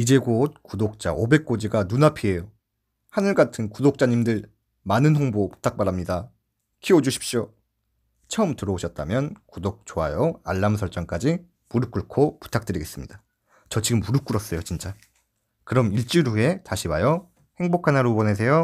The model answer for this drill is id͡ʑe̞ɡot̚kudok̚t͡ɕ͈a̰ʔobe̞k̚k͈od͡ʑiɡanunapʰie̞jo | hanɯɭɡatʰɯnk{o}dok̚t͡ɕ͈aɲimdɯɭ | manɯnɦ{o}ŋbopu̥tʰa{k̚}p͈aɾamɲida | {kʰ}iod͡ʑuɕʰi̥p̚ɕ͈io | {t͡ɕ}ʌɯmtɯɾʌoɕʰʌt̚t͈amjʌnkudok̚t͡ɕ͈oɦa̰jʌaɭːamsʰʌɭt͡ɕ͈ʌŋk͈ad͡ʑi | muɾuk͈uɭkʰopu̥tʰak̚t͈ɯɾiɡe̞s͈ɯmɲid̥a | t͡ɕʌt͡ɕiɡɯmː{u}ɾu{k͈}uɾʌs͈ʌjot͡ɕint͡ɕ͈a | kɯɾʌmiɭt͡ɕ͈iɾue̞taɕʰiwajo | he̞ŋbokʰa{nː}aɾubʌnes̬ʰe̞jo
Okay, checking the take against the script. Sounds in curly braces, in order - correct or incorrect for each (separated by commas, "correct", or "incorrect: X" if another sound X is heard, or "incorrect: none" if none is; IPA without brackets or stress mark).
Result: incorrect: u, correct, correct, correct, incorrect: t͡ɕʰ, correct, correct, incorrect: n